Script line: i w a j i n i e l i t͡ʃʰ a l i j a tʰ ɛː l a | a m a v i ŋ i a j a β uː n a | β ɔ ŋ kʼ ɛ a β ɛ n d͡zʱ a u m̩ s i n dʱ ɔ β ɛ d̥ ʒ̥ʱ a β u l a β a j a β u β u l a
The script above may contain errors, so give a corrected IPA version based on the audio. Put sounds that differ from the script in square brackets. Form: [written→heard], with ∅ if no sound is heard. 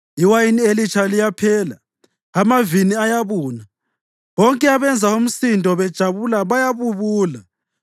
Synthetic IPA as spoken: i w a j i n i e l i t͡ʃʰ a l i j a [tʰ→pʰ] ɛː l a | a m a v i [ŋ→n] i a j a β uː n a | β ɔ ŋ kʼ ɛ a β ɛ n d͡zʱ a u m̩ s i n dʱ ɔ β ɛ d̥ ʒ̥ʱ a β u l a β a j a β u β [u→uː] l a